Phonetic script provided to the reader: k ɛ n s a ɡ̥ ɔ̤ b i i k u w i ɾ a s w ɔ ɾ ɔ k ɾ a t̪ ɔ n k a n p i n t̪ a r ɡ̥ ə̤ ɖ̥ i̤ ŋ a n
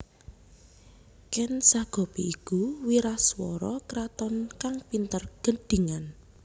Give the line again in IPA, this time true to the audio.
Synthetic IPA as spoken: k ɛ n s a ɡ̥ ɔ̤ p i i k u w i ɾ a s w ɔ ɾ ɔ k ɾ a t̪ ɔ n k a ŋ p i n t̪ ə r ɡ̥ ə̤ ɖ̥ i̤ ŋ a n